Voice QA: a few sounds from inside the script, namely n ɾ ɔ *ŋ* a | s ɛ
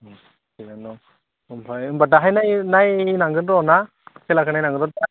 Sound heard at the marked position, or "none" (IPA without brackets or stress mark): n